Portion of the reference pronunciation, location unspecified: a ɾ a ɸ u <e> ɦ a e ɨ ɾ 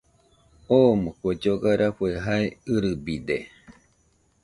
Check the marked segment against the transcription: correct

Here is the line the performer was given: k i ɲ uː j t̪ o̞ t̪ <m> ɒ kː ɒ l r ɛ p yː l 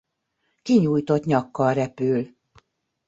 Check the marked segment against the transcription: incorrect: ɲ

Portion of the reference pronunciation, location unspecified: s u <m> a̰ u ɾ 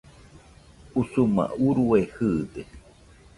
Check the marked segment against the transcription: correct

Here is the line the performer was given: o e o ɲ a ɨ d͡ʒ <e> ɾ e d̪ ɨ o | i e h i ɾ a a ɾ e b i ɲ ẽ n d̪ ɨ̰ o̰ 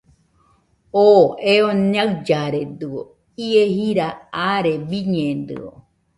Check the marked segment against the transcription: incorrect: a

